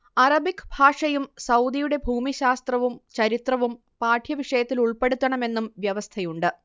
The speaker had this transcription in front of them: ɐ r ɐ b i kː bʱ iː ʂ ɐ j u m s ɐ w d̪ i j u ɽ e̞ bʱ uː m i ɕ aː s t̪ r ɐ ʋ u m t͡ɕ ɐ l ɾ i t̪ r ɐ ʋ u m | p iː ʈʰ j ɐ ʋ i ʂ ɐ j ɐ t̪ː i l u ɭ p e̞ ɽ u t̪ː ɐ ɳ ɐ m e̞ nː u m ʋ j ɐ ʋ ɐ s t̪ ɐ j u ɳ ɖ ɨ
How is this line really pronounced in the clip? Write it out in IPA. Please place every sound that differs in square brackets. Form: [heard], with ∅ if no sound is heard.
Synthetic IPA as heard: ɐ r ɐ b i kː bʱ [aː] ʂ ɐ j u m s ɐ w d̪ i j u ɽ e̞ bʱ uː m i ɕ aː s t̪ r ɐ ʋ u m t͡ɕ ɐ [∅] ɾ i t̪ r ɐ ʋ u m | p [aː] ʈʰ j ɐ ʋ i ʂ ɐ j ɐ t̪ː i l u ɭ p e̞ ɽ u t̪ː ɐ ɳ ɐ m e̞ nː u m ʋ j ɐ ʋ ɐ s [t̪ʰ] ɐ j u ɳ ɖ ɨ